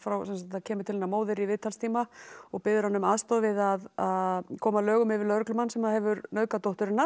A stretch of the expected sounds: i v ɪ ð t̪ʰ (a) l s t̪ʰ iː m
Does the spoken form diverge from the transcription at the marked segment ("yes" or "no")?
no